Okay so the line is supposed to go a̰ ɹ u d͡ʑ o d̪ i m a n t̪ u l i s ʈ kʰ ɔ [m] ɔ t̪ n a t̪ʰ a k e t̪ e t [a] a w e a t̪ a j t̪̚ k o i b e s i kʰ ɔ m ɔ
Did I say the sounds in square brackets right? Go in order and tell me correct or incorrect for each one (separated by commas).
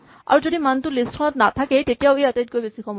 incorrect, incorrect